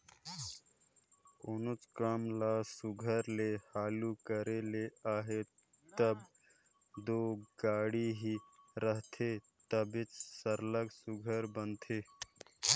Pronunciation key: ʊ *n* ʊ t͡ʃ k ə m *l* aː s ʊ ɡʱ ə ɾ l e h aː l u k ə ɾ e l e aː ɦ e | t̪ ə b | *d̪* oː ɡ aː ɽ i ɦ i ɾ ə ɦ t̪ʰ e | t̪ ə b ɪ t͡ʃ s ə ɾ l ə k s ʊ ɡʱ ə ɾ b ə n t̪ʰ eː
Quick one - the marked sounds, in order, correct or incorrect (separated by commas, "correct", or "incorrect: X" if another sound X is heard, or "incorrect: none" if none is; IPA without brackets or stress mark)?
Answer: correct, correct, correct